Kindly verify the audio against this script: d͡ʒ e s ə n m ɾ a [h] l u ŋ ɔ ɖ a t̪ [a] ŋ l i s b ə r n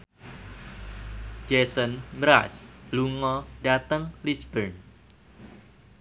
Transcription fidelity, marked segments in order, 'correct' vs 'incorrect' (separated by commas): incorrect, incorrect